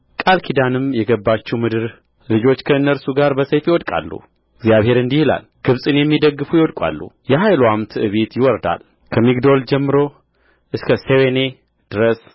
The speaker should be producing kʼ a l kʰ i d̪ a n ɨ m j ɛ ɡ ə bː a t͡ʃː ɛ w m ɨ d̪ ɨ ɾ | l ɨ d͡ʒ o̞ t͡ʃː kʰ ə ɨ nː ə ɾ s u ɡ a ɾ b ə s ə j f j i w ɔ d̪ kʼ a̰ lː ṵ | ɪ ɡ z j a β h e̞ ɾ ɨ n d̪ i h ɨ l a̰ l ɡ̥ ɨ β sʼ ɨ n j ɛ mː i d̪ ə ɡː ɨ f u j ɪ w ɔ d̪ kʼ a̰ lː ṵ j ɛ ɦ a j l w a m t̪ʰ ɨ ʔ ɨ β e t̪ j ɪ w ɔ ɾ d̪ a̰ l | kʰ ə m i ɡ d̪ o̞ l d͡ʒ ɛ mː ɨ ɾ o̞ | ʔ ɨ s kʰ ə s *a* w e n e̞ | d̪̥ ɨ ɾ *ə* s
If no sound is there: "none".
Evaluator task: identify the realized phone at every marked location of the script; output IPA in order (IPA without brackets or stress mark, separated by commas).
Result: e, ə